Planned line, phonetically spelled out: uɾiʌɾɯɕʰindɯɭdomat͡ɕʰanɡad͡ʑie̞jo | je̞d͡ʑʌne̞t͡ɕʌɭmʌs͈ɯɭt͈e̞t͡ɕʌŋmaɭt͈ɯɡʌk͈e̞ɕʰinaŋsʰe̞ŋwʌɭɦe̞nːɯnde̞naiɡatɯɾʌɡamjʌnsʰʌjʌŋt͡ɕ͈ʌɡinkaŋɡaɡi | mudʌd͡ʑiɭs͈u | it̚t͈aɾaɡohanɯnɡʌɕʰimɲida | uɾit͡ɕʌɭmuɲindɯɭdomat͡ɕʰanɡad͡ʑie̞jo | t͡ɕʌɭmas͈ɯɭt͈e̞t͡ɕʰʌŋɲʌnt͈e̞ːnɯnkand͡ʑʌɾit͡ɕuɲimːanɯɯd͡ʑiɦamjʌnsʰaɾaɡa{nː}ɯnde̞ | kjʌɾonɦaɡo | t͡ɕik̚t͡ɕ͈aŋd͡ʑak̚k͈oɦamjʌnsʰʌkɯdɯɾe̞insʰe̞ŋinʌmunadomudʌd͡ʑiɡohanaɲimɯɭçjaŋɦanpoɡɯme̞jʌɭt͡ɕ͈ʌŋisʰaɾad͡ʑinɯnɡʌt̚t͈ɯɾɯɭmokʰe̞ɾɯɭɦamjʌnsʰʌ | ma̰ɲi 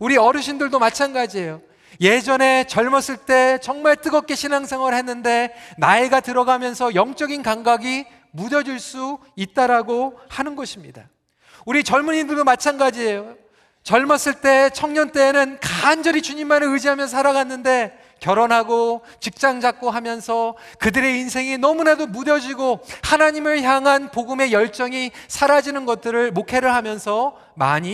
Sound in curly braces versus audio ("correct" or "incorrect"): correct